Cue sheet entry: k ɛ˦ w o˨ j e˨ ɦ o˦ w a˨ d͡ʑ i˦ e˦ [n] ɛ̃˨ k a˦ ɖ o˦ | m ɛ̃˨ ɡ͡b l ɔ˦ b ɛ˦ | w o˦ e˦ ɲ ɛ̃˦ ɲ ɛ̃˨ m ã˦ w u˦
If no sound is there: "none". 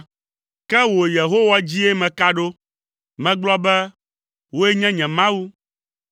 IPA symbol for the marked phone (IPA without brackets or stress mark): m